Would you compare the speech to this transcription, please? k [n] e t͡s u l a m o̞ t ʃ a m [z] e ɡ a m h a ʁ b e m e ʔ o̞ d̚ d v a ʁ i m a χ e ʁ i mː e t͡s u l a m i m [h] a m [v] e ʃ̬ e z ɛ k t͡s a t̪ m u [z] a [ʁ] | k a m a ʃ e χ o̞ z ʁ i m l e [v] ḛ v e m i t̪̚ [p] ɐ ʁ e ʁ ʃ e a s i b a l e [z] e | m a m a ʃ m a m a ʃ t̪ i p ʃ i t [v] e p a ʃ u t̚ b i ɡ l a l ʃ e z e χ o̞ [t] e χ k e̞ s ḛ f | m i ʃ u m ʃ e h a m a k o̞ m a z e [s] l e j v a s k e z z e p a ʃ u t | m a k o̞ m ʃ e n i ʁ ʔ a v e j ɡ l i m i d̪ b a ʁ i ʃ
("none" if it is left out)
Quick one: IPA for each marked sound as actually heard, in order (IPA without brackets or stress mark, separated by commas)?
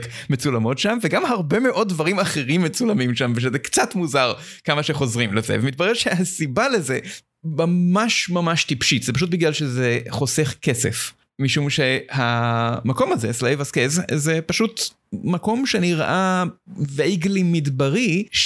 m, v, ʃ, v, z, ʁ, z, b, z, z, s, s